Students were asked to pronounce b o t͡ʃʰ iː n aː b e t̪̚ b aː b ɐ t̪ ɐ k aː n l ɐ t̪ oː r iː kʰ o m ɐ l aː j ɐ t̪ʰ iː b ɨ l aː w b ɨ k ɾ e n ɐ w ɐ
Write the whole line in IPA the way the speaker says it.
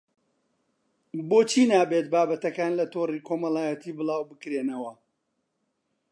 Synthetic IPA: b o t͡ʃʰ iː n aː b e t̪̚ b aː b ɐ t̪ ɐ k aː n l ɐ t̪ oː r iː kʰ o m ɐ l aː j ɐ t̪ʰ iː b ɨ l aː w b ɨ k ɾ e n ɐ w ɐ